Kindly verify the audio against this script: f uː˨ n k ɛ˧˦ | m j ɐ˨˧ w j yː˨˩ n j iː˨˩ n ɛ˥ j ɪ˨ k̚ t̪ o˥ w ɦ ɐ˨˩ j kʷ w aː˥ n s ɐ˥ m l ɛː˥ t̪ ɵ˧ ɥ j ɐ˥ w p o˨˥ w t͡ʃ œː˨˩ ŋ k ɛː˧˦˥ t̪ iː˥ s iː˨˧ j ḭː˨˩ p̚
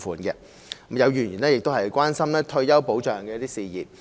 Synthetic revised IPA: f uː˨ n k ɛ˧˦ | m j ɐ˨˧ w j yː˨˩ n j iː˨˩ n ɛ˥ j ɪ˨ k̚ t̪ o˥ w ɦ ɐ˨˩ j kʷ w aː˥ n s ɐ˥ m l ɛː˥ t̪ʰ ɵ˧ ɥ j ɐ˥ w p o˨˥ w t͡ʃ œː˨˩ ŋ k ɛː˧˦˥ t̪ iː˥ s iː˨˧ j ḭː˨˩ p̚